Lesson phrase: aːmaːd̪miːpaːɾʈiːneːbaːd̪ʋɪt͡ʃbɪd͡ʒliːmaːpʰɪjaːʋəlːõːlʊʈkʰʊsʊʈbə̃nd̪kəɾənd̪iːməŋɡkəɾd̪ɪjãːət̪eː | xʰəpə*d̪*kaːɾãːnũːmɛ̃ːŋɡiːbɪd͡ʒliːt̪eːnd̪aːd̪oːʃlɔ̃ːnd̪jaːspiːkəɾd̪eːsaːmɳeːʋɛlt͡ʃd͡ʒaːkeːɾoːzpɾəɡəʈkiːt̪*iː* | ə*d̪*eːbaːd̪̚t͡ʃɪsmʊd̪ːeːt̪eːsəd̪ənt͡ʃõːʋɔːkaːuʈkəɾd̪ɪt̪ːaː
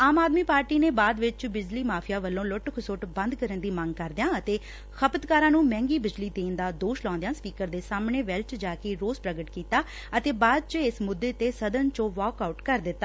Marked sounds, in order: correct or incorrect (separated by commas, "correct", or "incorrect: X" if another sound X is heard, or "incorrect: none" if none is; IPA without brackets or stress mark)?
incorrect: t̪, incorrect: aː, incorrect: t̪